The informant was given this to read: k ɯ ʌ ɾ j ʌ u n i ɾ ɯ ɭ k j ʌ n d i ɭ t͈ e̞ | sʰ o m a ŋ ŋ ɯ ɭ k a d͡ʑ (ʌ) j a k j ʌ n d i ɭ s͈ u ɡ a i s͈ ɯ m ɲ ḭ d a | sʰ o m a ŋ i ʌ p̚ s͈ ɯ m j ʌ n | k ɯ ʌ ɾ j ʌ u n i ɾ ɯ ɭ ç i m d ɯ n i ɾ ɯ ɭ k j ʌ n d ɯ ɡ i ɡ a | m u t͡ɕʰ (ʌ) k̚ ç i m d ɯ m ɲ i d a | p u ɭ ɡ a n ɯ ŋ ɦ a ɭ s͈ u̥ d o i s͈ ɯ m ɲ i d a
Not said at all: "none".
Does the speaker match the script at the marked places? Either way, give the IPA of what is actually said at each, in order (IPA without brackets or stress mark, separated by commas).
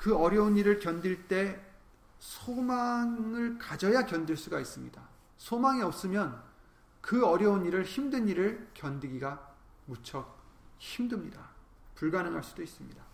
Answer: ʌ, ʌ